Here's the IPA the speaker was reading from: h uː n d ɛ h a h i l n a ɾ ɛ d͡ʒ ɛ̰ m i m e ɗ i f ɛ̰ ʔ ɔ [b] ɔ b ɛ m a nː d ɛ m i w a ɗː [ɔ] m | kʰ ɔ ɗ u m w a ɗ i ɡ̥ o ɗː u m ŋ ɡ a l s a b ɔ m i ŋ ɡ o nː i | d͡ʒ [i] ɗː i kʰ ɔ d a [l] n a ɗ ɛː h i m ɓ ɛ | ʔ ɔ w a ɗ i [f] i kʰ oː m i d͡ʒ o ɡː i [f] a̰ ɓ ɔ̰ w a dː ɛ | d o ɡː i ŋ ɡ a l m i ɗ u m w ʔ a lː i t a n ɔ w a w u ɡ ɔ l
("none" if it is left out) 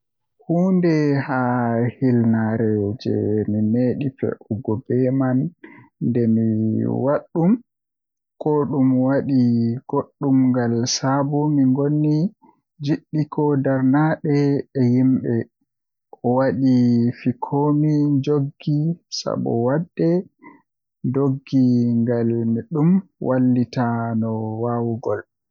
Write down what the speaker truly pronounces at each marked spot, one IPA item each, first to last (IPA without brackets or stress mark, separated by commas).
ɡ, u, i, ɾ, f, s